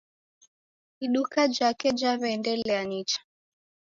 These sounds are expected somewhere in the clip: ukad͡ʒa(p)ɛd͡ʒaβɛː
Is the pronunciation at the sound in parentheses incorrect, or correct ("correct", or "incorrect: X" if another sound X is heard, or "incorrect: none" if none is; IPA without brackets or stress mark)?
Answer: incorrect: k